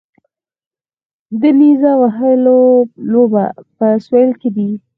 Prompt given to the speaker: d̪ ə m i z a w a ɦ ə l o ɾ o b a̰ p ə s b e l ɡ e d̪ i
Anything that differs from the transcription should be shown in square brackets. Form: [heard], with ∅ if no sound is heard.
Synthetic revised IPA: d̪ ə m i z a w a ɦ ə l o [l] o b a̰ p ə s [w] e l [k] e d̪ i